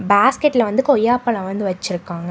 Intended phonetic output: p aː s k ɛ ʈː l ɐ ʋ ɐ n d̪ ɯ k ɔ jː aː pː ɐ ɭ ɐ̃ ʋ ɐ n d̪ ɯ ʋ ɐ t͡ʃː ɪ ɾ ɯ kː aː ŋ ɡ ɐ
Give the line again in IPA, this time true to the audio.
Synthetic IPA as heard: b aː s k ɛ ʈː l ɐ ʋ ɐ n d̪ ɯ k ɔ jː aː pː ɐ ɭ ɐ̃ ʋ ɐ n d̪ ɯ ʋ ɐ t͡ʃː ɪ ɾ ɯ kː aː ŋ ɡ ɐ

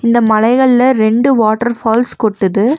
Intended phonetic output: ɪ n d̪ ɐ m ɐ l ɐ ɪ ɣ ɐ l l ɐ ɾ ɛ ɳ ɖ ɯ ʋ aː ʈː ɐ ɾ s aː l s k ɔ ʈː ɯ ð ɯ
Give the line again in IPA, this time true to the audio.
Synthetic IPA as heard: ɪ n d̪ ɐ m ɐ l ɐ ɪ ɣ ɐ ɭ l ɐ ɾ ɛ ɳ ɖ ɯ ʋ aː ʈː ɐ ɾ f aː l s k ɔ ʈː ɯ ð ɯ

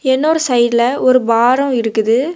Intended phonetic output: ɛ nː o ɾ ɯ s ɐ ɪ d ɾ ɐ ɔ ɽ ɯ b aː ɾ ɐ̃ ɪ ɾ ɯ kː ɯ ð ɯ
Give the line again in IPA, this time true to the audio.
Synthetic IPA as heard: ɛ nː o ɾ ɯ s ɐ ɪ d l ɐ ɔ ɾ ɯ b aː ɾ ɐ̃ ɪ ɾ ɯ kː ɯ ð ɯ

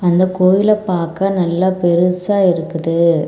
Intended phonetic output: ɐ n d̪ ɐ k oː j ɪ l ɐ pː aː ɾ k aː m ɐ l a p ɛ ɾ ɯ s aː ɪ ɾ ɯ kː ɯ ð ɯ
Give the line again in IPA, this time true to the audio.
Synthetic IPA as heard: ɐ n d̪ ɐ k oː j ɪ l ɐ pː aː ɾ k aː n ɐ lː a p ɛ ɾ ɯ s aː ɪ ɾ ɯ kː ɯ ð ɯ

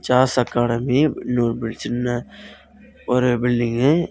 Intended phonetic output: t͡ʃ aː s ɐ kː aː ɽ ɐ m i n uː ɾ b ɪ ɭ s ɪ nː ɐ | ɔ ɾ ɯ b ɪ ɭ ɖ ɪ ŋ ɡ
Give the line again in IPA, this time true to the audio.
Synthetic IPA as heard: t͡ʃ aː s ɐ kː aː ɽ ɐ m i n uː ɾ b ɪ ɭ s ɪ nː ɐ | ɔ ɾ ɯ b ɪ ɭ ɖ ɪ ŋ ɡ

